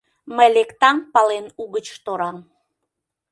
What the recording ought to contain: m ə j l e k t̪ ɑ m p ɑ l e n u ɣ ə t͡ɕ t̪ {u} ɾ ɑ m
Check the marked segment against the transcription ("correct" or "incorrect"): incorrect